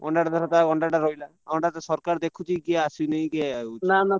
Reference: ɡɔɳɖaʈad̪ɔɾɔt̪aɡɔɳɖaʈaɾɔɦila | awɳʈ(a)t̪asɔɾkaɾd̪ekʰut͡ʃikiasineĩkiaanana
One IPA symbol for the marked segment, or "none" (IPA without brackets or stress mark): a